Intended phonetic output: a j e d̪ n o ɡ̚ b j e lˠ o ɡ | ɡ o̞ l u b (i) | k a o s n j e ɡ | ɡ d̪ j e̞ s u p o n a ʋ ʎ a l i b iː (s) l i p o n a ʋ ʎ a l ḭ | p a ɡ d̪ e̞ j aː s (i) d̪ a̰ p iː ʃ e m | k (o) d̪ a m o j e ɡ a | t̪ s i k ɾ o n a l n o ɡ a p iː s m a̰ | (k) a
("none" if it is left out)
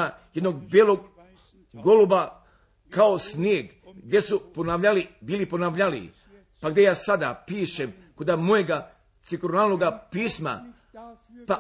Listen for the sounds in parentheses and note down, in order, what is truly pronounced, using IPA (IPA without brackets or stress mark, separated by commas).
a, none, a, o, p